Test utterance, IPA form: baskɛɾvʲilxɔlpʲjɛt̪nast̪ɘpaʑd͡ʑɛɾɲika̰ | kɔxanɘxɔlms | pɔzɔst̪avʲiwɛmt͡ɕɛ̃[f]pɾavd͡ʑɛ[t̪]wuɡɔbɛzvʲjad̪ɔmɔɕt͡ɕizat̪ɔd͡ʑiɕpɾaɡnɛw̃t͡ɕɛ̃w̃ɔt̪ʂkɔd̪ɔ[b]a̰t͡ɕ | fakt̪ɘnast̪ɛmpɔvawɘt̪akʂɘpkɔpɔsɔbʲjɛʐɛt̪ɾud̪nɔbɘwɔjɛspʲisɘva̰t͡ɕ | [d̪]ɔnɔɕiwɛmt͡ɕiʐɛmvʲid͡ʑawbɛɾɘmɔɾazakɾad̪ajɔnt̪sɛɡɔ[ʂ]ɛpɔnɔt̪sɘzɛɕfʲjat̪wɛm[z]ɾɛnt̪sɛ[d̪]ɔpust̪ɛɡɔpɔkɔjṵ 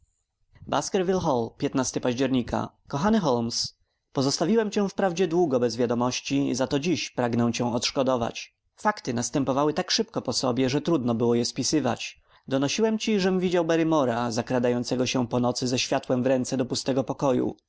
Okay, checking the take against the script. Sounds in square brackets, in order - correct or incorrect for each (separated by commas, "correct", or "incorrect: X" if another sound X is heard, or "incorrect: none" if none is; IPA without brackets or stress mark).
correct, incorrect: d̪, incorrect: v, correct, incorrect: ɕ, incorrect: v, correct